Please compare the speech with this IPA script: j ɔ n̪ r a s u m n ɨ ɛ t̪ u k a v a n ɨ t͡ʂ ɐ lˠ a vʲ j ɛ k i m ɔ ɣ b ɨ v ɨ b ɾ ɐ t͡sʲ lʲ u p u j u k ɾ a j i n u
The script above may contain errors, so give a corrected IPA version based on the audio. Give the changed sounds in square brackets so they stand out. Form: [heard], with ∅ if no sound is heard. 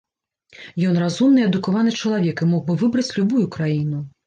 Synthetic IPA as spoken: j ɔ n̪ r a [z] u m n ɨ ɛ [d̪] u k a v a n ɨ t͡ʂ ɐ lˠ a vʲ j ɛ k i m ɔ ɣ b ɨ v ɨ b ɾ ɐ t͡sʲ lʲ u [b] u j u k ɾ a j i n u